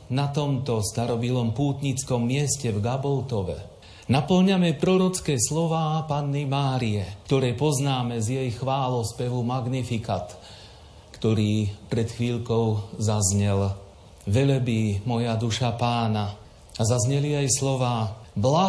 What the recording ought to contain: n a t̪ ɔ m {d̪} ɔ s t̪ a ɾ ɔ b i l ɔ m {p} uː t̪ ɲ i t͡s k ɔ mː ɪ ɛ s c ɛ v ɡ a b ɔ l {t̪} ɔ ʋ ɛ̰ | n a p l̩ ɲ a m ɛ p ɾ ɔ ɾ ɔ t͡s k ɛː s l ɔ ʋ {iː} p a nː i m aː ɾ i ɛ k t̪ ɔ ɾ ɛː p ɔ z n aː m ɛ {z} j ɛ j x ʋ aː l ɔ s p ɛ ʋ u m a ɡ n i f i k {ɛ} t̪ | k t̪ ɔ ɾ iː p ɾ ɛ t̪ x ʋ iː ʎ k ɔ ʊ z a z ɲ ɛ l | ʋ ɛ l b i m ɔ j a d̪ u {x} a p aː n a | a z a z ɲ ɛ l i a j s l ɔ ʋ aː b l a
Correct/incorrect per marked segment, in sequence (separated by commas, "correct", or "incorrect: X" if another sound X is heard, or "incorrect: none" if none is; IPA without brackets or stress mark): incorrect: t̪, correct, correct, incorrect: aː, correct, incorrect: a, incorrect: ʃ